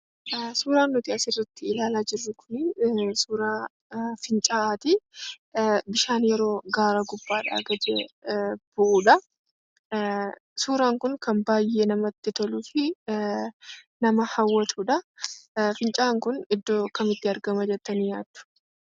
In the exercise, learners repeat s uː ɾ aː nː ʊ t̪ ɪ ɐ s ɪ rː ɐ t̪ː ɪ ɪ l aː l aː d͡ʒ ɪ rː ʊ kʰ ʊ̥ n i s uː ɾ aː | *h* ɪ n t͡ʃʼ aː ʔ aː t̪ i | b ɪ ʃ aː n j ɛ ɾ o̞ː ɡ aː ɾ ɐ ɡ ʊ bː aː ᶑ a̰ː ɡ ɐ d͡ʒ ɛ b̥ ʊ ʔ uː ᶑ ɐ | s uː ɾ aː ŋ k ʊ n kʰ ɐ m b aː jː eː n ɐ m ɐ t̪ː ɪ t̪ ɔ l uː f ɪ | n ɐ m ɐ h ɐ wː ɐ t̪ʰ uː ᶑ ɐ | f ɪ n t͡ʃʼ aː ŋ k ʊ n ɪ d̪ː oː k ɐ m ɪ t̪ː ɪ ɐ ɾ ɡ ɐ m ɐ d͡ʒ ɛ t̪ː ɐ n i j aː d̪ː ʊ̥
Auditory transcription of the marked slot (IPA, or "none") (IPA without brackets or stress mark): f